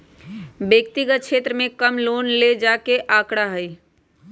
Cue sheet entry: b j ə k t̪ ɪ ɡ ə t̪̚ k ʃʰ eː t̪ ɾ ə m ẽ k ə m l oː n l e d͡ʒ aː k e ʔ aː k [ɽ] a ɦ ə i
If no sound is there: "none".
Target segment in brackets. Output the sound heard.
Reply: ɽ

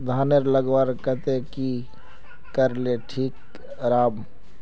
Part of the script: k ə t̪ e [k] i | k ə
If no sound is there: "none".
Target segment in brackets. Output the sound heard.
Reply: k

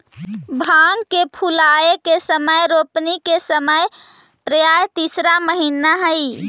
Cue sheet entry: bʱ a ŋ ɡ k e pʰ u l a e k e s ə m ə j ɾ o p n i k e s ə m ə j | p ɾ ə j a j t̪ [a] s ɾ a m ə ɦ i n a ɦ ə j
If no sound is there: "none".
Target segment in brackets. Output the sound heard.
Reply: i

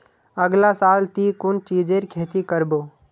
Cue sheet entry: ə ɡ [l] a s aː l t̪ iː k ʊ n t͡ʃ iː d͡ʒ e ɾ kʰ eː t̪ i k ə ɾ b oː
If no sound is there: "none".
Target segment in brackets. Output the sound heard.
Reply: l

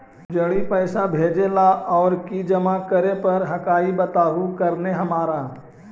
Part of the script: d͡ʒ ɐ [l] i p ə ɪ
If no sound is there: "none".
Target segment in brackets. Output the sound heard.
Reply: ɽ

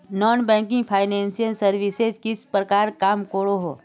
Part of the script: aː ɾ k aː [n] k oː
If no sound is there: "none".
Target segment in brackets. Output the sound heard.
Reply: m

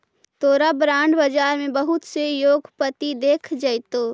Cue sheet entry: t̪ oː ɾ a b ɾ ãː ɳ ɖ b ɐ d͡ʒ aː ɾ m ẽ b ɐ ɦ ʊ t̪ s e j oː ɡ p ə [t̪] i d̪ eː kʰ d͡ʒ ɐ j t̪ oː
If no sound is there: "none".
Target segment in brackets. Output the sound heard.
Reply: t̪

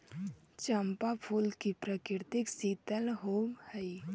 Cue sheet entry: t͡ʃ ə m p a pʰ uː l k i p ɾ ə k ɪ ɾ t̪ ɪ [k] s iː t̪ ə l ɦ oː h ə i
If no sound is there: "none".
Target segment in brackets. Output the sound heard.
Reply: k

